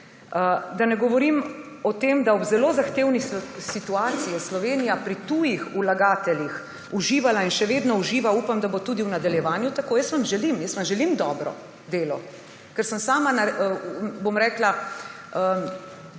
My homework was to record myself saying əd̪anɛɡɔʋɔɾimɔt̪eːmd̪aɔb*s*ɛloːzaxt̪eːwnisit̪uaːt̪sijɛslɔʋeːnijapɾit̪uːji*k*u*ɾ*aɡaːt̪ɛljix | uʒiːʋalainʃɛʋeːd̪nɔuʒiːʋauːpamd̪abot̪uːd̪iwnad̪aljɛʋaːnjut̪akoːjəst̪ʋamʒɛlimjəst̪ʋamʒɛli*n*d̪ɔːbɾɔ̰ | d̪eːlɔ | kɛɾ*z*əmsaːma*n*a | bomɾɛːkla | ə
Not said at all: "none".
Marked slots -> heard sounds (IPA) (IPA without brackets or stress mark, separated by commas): z, x, l, m, s, n